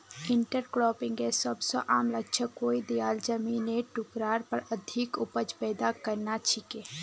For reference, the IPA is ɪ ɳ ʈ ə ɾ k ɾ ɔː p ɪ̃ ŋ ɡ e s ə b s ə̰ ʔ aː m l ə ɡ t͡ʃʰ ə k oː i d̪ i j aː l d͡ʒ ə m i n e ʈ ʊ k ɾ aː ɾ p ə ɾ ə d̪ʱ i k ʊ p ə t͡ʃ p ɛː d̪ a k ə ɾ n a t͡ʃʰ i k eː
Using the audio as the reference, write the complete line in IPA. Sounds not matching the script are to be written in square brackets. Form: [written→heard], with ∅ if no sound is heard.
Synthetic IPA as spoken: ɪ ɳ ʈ ə ɾ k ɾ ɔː p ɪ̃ ŋ ɡ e s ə b s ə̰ ʔ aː m l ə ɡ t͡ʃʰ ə k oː i d̪ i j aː l d͡ʒ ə m i n e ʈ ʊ k ɾ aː ɾ p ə ɾ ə d̪ʱ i k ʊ p ə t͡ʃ p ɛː d̪ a k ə ɾ n a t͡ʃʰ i k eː